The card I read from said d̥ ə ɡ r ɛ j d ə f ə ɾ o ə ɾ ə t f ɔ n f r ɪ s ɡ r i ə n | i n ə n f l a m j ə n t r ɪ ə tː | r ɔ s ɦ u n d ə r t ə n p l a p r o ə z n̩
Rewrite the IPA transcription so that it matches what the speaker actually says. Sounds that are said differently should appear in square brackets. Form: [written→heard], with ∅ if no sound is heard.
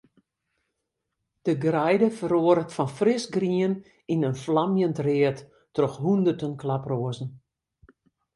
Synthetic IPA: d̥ ə ɡ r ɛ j d ə f ə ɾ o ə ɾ ə t f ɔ n f r ɪ s ɡ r i ə n | i n ə n f l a m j ə n t r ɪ ə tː | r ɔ [s→x] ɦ u n d ə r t ə n [p→k] l a p r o ə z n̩